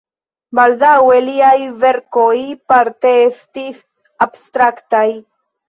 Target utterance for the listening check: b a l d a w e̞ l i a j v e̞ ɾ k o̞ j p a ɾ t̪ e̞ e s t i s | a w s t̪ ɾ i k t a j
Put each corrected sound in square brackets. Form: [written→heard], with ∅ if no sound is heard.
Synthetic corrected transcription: b a l d a w e̞ l i a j v e̞ ɾ k o̞ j p a ɾ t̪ e̞ e s t i s | a [w→b] s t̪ ɾ [i→a] k t a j